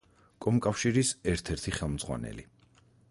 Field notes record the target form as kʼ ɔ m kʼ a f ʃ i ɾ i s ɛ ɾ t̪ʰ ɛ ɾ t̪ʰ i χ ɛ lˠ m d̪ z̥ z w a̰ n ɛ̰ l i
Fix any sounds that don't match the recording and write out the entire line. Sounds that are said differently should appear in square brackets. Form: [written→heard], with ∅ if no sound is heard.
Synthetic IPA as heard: kʼ ɔ m kʼ a f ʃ i ɾ i s ɛ ɾ t̪ʰ ɛ ɾ t̪ʰ i χ ɛ lˠ m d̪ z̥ [z→ʁ] w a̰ n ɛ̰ l i